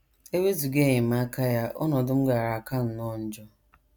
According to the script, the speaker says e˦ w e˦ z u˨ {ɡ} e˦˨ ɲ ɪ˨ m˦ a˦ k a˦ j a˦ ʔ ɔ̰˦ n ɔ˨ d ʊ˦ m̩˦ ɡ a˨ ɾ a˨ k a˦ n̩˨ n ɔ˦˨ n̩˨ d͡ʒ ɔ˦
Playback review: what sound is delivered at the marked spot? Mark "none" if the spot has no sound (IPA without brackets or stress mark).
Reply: ɡ